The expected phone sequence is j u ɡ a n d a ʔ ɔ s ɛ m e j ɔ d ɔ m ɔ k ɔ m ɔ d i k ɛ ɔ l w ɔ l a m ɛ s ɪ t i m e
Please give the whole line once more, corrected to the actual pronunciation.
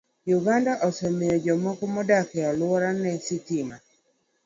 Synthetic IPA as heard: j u ɡ a n d a ʔ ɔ s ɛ m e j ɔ d͡ʒ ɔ m ɔ k ɔ m ɔ d a k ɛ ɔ l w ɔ ɾ a n ɛ s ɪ t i m a